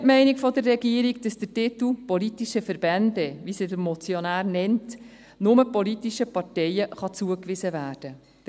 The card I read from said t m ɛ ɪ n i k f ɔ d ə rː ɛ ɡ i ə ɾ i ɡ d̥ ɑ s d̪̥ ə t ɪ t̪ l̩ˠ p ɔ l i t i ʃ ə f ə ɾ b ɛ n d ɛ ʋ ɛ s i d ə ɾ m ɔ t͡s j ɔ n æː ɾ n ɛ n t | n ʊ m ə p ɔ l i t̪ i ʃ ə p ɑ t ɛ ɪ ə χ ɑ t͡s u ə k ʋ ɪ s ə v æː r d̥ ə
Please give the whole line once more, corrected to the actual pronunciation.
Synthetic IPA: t m ɛ ɪ n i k f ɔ d ə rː ɛ ɡ i ə ɾ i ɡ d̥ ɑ s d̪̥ ə t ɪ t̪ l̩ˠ p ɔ l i t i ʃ ə f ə ɾ b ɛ n d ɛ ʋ i s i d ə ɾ m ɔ t͡s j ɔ n æː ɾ n ɛ n t | n ʊ m ə p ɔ l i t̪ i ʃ ə p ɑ t ɛ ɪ ə χ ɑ t͡s u ə k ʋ ɪ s ə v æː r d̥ ə